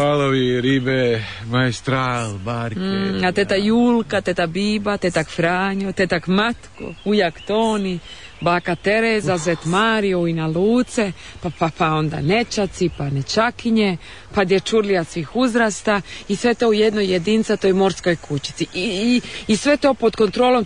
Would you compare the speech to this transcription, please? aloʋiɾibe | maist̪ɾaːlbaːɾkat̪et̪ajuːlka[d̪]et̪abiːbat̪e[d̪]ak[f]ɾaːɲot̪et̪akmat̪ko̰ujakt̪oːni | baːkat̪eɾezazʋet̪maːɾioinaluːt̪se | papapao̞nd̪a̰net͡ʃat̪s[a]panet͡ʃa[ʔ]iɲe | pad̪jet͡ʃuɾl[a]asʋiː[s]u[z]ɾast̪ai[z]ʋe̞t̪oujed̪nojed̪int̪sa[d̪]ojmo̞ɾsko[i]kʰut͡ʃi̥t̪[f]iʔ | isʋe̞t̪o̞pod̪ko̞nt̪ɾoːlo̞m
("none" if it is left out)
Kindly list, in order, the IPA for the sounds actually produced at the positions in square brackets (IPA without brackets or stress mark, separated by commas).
t̪, t̪, f, i, k, i, x, z, s, t̪, j, s